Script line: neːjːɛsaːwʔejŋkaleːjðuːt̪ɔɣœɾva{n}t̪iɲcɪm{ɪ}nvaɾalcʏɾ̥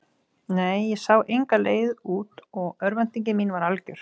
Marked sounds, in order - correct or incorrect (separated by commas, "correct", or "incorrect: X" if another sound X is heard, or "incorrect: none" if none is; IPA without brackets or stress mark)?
correct, incorrect: i